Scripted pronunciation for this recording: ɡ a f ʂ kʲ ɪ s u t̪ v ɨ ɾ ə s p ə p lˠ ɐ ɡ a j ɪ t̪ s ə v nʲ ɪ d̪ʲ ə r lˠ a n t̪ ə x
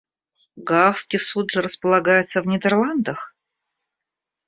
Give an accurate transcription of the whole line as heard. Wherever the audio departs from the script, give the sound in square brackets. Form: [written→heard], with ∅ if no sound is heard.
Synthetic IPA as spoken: ɡ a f [ʂ→s] kʲ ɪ s u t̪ [v→ʐ] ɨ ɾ ə s p ə [p→∅] lˠ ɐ ɡ a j ɪ t̪ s ə v nʲ ɪ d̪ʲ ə r lˠ a n [t̪→d̪] ə x